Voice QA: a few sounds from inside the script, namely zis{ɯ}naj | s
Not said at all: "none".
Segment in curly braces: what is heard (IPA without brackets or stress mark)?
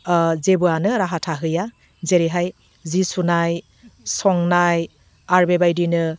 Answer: u